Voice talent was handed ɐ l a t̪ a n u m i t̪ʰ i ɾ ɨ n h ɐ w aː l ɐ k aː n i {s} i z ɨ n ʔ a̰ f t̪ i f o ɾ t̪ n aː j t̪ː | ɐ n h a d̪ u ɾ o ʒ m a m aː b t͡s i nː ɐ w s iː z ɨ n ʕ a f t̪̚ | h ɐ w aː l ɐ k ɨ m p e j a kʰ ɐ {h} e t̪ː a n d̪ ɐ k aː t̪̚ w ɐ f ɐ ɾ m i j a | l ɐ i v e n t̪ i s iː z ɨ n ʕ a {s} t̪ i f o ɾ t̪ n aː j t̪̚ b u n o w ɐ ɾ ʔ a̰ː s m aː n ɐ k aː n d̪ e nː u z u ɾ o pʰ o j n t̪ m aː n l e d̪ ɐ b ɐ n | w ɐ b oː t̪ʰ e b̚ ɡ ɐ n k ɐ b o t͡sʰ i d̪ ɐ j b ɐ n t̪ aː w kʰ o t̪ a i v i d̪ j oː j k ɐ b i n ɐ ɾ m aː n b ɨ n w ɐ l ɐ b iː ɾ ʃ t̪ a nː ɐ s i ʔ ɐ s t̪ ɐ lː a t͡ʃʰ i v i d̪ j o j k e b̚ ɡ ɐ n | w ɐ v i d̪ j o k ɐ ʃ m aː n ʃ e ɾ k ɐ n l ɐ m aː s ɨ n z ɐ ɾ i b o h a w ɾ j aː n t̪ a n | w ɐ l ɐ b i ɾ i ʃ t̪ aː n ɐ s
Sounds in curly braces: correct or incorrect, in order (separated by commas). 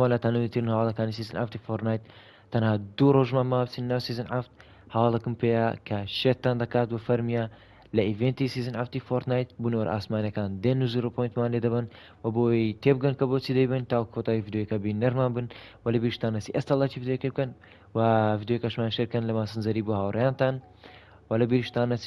correct, incorrect, incorrect